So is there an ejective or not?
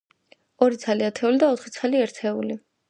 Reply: no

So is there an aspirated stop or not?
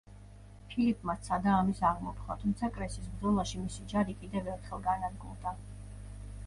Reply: yes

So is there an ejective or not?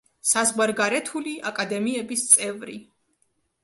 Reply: yes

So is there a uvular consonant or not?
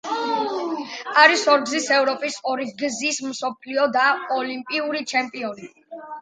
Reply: no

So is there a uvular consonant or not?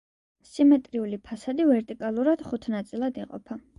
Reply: yes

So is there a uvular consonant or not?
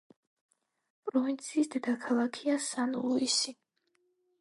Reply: no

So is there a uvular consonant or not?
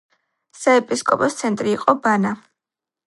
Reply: yes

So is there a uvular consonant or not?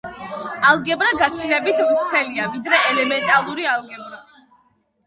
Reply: no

